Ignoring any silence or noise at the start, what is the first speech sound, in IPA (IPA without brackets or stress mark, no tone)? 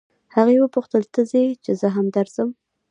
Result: h